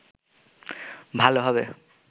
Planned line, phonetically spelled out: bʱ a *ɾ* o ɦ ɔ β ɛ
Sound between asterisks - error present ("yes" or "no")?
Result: yes